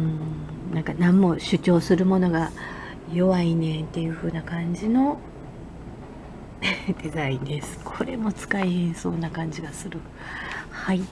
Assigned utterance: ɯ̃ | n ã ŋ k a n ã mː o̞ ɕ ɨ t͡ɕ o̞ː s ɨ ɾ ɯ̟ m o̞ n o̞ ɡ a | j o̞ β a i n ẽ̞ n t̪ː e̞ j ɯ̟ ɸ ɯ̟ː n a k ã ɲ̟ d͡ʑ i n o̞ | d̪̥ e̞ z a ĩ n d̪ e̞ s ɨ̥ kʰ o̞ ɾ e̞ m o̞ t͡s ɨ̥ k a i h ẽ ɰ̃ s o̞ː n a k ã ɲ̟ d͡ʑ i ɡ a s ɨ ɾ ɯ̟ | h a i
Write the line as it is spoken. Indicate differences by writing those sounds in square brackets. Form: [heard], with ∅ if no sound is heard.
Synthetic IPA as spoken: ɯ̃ | n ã ŋ k a n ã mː o̞ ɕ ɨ t͡ɕ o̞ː s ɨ ɾ ɯ̟ m o̞ n o̞ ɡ a | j o̞ β a i n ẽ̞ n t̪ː e̞ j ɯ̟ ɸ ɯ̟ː n a k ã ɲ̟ d͡ʑ i n o̞ | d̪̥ e̞ z a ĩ n d̪ e̞ s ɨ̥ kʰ o̞ ɾ e̞ m o̞ t͡s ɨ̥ k a i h ẽ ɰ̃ s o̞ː n a k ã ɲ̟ d͡ʑ i ɡ a s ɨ ɾ ɯ̟ | h a i

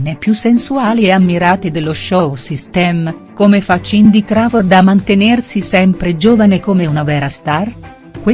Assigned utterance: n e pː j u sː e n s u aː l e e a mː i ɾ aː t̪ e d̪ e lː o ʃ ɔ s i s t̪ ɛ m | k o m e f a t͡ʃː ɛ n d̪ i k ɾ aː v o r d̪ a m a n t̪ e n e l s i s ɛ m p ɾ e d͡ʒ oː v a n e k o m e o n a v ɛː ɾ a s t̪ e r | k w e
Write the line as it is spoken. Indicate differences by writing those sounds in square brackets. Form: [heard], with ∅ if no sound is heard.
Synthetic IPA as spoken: n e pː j u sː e n s u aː l [i] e a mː i ɾ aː t̪ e d̪ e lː o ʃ ɔ s i s t̪ ɛ m | k o m e f a t͡ʃː [i] n d̪ i k ɾ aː v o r d̪ a m a n t̪ e n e [r] s i s ɛ m p ɾ e d͡ʒ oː v a n e k o m e [u] n a v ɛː ɾ a s t̪ [a] r | k w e

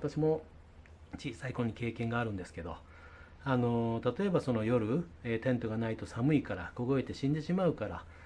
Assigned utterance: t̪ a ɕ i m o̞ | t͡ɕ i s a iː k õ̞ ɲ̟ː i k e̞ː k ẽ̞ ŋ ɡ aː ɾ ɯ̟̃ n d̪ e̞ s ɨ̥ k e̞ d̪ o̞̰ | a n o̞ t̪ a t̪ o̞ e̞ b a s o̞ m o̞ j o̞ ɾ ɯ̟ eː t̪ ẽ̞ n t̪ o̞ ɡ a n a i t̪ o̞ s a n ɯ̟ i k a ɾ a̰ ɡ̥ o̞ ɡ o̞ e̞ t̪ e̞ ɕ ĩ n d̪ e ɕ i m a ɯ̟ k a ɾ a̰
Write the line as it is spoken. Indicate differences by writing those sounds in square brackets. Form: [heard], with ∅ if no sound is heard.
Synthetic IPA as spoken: t̪ a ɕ i m o̞ | t͡ɕ [iː] s a [i] k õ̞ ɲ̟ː i k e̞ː k ẽ̞ ŋ ɡ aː ɾ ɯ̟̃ n d̪ e̞ s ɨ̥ k e̞ d̪ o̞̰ | a n o̞ t̪ a t̪ o̞ e̞ b a s o̞ [n] o̞ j o̞ ɾ ɯ̟ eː t̪ ẽ̞ n t̪ o̞ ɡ a n a i t̪ o̞ s a [m] ɯ̟ i k a ɾ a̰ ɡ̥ o̞ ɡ o̞ e̞ t̪ e̞ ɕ ĩ n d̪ e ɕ i m a ɯ̟ k a ɾ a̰

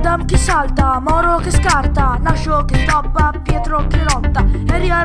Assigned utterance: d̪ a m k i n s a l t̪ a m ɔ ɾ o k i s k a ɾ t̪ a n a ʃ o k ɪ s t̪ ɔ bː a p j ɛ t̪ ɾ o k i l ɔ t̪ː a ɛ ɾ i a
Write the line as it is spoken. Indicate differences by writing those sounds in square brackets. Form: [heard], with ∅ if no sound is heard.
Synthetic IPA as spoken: d̪ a m k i [∅] s a l t̪ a m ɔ ɾ o k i s k a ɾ t̪ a n a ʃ o k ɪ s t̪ ɔ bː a p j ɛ t̪ ɾ o k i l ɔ t̪ː a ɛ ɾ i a

